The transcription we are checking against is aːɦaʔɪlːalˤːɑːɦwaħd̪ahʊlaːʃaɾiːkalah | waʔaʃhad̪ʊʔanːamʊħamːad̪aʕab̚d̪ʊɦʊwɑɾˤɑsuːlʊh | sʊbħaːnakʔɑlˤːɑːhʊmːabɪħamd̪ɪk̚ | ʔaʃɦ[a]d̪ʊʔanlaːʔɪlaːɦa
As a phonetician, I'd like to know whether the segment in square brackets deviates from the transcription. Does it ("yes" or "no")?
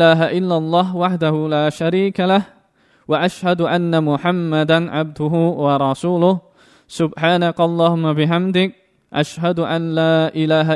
no